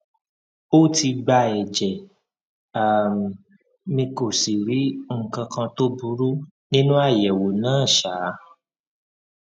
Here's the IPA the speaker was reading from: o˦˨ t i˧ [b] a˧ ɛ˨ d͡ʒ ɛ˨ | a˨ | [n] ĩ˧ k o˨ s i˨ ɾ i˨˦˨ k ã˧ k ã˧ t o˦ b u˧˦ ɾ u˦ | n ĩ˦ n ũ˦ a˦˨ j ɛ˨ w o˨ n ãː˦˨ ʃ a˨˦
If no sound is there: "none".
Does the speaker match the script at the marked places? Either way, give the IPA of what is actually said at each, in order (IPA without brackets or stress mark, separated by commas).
ɡ͡b, m